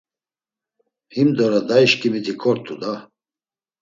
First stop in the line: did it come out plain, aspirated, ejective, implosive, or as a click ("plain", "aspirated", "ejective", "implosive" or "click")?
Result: plain